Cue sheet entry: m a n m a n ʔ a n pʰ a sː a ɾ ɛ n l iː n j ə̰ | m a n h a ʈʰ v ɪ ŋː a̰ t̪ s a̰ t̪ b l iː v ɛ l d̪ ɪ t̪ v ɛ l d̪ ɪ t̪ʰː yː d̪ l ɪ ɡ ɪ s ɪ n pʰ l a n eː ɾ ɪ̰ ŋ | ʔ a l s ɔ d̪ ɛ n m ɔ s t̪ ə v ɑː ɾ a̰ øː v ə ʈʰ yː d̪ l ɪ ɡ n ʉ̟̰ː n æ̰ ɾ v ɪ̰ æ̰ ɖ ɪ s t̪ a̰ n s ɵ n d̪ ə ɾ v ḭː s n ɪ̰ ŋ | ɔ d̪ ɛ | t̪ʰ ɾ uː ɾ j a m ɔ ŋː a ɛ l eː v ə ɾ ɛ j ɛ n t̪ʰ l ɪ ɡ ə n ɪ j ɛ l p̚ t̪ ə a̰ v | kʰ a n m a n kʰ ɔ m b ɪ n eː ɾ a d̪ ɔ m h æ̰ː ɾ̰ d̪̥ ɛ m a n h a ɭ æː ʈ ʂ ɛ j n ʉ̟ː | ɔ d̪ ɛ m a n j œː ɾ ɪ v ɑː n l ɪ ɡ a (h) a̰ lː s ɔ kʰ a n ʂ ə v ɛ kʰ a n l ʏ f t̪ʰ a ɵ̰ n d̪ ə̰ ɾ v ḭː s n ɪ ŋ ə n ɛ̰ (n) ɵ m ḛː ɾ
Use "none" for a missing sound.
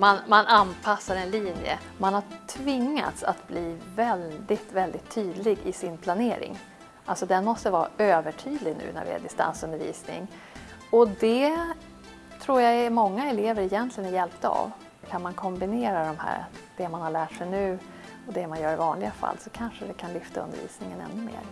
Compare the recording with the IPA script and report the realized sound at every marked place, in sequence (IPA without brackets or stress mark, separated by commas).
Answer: f, nː